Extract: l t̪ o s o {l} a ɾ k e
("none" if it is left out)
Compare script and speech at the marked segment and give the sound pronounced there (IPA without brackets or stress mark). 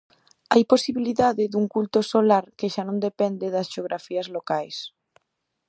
l